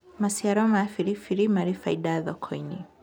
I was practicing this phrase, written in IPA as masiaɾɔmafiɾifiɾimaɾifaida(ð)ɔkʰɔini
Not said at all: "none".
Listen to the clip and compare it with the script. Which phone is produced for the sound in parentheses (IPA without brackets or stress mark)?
ð